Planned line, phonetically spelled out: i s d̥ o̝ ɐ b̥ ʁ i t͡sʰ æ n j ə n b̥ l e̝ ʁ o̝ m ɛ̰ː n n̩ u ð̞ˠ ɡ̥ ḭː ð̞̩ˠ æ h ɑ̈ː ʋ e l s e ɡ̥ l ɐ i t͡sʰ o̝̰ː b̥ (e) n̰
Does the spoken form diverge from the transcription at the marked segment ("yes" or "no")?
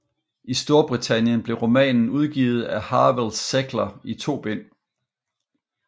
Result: no